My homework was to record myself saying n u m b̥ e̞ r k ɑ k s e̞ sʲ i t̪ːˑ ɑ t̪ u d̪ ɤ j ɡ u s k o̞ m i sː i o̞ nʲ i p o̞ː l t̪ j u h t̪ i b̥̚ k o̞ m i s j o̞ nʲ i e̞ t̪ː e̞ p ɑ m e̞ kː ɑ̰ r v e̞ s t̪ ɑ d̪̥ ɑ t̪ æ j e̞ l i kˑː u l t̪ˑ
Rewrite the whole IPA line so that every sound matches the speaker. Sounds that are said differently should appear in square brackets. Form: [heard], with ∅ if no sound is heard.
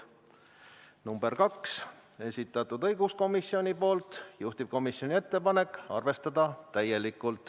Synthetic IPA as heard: n u m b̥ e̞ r k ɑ k s e̞ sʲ i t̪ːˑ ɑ t̪ u d̪ ɤ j ɡ u s k o̞ m i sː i o̞ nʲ i p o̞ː l t̪ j u h t̪ i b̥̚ k o̞ m i s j o̞ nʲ i e̞ t̪ː e̞ p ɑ [n] e̞ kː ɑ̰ r v e̞ s t̪ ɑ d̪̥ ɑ t̪ æ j e̞ l i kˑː u l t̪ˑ